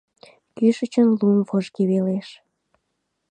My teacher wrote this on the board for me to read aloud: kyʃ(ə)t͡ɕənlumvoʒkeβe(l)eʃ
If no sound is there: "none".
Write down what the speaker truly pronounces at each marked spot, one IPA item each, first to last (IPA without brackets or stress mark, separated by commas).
ə, l